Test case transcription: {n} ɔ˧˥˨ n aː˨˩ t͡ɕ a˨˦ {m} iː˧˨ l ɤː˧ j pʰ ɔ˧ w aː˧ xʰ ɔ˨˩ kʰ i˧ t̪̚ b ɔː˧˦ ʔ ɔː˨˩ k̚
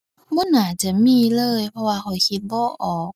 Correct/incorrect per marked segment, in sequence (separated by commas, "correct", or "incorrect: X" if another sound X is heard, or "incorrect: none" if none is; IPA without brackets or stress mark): incorrect: m, correct